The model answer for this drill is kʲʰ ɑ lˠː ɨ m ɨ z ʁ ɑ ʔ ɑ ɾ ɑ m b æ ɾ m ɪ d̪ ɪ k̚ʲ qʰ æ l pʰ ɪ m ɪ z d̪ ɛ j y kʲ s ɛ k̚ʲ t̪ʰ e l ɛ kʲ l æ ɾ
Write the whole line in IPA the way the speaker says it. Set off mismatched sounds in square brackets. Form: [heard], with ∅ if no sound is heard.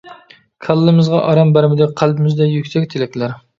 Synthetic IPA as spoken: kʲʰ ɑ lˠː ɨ m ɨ z ʁ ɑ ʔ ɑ ɾ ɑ m b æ ɾ m ɪ d̪ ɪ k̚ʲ qʰ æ l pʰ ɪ m ɪ z d̪ ɛ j y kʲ s ɛ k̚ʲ t̪ʰ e l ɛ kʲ l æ ɾ

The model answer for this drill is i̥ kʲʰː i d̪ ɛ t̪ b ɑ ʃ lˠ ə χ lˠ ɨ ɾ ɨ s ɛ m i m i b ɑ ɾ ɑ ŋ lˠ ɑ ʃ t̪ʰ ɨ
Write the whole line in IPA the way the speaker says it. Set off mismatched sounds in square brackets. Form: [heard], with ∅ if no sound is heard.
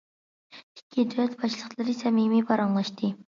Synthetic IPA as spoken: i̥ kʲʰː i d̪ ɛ t̪ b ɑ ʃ lˠ ə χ lˠ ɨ ɾ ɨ s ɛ m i m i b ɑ ɾ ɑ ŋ lˠ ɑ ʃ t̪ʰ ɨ

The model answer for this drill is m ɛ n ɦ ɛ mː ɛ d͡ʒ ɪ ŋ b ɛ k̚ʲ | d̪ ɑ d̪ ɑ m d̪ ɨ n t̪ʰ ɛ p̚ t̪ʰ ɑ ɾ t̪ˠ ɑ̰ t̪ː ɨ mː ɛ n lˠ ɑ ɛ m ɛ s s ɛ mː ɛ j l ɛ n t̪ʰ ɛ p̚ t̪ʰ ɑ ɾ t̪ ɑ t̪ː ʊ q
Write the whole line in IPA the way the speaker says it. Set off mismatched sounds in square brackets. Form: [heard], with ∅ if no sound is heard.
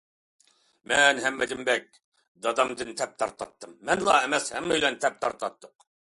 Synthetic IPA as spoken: m ɛ n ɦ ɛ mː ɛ d͡ʒ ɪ [m] b ɛ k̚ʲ | d̪ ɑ d̪ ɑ m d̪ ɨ n t̪ʰ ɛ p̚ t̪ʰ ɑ ɾ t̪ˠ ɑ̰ t̪ː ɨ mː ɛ n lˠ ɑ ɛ m ɛ s [h] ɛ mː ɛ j l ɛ n t̪ʰ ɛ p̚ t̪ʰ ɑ ɾ t̪ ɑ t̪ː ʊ q

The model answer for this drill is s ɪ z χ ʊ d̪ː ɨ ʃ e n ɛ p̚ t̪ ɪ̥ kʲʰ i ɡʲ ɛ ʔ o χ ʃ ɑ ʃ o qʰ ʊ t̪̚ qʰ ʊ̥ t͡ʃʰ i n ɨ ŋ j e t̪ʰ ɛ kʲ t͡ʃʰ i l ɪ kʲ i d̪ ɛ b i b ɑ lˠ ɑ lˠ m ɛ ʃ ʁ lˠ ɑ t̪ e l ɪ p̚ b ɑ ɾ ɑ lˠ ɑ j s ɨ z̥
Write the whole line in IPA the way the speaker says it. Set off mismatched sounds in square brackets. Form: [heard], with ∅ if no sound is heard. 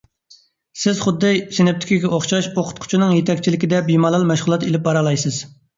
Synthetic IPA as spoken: s ɪ z χ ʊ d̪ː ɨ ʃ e n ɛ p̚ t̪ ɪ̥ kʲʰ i ɡʲ ɛ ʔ o χ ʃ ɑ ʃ o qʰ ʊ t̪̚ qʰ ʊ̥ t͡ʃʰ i n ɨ ŋ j e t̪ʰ ɛ kʲ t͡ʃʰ i l ɪ kʲ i d̪ ɛ b i [m] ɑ lˠ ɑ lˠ m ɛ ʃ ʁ lˠ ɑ t̪ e l ɪ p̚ b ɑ ɾ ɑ lˠ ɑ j s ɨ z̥

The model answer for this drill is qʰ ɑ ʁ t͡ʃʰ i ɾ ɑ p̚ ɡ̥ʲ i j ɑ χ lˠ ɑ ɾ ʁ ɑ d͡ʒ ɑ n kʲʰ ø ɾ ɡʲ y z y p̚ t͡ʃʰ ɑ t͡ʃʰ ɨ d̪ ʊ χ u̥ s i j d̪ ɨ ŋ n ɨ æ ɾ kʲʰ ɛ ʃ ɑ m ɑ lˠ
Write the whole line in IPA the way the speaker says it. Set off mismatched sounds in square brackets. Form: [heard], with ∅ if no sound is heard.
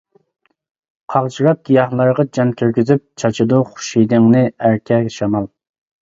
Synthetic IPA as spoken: qʰ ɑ ʁ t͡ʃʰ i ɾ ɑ p̚ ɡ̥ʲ i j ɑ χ lˠ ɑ ɾ ʁ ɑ d͡ʒ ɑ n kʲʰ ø ɾ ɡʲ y z y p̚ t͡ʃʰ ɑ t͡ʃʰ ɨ d̪ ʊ χ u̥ [ʃ] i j d̪ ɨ ŋ n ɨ æ ɾ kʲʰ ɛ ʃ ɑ m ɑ lˠ

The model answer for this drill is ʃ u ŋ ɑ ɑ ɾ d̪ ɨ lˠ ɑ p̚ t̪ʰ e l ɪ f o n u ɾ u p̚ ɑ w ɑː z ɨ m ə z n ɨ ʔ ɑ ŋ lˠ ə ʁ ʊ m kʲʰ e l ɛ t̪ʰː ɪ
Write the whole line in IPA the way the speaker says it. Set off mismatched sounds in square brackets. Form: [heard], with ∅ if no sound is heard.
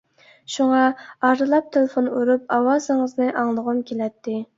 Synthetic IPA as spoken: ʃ u ŋ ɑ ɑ ɾ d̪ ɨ lˠ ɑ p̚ t̪ʰ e l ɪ f o n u ɾ u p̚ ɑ w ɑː z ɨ [ŋ] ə z n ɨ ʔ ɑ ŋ lˠ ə ʁ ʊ m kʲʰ e l ɛ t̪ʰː ɪ

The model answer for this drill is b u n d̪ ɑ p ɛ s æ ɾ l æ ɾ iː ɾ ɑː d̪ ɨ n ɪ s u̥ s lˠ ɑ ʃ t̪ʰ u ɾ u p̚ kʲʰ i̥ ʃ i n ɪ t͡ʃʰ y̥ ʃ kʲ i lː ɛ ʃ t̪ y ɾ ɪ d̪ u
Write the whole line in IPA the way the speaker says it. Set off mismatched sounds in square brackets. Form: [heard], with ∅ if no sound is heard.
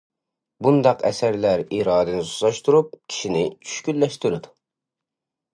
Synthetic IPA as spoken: b u n d̪ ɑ [q] ɛ s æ ɾ l æ ɾ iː ɾ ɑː d̪ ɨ n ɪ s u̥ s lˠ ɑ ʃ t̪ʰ u ɾ u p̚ kʲʰ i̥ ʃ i n ɪ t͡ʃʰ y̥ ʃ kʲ [y] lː ɛ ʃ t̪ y ɾ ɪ d̪ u

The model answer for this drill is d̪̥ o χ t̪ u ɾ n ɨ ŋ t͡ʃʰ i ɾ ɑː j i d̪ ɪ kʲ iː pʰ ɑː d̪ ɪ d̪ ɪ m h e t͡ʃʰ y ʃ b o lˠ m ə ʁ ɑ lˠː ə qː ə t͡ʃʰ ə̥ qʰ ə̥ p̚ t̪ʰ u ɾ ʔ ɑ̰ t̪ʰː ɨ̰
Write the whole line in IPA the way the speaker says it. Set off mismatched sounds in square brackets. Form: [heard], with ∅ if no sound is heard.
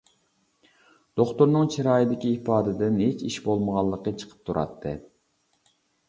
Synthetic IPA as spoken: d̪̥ o χ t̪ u ɾ n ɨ ŋ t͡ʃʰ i ɾ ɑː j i d̪ ɪ kʲ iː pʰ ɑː d̪ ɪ d̪ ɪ [n] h e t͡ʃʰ [i] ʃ b o lˠ m ə ʁ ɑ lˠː ə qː ə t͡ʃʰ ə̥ qʰ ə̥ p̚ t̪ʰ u ɾ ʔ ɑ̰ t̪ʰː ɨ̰

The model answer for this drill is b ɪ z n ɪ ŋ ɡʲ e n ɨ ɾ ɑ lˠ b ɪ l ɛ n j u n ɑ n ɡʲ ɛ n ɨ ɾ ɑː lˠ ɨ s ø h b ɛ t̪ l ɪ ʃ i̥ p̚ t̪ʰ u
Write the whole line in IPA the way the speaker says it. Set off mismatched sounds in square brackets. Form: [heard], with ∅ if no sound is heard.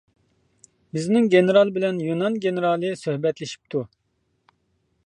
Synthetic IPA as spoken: b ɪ z n ɪ ŋ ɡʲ e n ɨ ɾ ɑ lˠ b ɪ l ɛ n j u n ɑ n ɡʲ [e] n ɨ ɾ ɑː lˠ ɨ s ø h b ɛ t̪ l ɪ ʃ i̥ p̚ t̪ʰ u

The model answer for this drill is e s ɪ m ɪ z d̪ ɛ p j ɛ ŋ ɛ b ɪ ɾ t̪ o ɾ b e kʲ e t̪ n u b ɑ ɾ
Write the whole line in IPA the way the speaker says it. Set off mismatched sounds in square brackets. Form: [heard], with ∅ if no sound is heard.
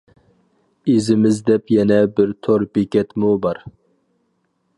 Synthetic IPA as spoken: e [z] ɪ m ɪ z d̪ ɛ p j ɛ [n] ɛ b ɪ ɾ [t̪ʰ] o ɾ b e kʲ [ɛ] t̪ [m] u b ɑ ɾ

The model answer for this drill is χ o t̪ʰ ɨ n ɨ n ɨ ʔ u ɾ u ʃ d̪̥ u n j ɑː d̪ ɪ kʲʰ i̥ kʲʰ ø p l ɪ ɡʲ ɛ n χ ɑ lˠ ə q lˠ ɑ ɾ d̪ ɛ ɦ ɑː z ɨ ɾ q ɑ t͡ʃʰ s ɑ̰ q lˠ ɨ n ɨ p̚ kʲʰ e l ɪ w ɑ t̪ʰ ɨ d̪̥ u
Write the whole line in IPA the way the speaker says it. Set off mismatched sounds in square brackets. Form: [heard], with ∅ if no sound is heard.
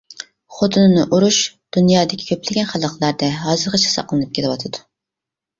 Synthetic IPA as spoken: χ o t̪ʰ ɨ n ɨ n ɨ ʔ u ɾ u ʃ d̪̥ u n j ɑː d̪ ɪ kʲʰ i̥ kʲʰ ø p l ɪ ɡʲ ɛ n χ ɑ lˠ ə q lˠ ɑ ɾ d̪ ɛ ɦ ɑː z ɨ ɾ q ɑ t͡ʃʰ s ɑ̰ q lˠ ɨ n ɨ p̚ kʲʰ e l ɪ w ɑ t̪ʰ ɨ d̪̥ u

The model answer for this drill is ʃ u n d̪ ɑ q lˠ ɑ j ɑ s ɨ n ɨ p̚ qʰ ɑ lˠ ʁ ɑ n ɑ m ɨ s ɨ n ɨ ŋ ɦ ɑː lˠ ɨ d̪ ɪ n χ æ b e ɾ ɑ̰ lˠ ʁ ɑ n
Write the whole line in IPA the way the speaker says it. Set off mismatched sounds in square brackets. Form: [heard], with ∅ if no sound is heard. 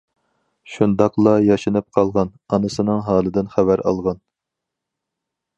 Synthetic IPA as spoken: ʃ u n d̪ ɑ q lˠ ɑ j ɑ [ʃ] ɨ n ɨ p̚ qʰ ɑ lˠ ʁ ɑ n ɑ [n] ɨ s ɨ n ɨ ŋ ɦ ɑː lˠ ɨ d̪ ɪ n χ æ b [æ] ɾ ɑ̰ lˠ ʁ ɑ n

